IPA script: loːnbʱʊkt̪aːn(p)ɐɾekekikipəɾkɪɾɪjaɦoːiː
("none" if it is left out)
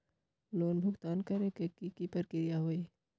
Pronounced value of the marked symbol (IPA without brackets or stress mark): k